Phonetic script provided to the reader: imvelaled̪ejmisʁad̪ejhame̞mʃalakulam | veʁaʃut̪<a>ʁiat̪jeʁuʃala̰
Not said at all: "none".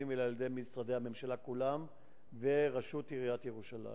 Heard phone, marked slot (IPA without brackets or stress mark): i